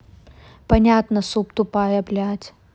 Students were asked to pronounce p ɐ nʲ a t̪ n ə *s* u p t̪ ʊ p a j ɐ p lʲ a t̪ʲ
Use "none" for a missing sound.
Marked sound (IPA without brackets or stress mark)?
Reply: s